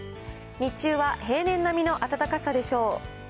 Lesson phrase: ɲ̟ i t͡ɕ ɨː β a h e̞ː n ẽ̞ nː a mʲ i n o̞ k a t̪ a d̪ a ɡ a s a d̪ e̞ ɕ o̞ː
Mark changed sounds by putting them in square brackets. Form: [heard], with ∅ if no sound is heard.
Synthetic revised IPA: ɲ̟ i t͡ɕ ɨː β a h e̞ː n ẽ̞ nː a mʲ i n o̞ [ʔ] a t̪ a [t̪] a [k] a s a d̪ e̞ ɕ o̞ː